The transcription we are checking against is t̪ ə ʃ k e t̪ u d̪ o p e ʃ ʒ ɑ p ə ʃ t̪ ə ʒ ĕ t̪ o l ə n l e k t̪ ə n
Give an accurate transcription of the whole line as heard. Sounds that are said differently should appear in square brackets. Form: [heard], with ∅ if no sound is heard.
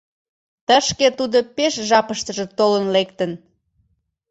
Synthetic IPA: t̪ ə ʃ k e t̪ u d̪ o p e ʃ ʒ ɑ p ə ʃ t̪ ə ʒ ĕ t̪ o l ə n l e k t̪ ə n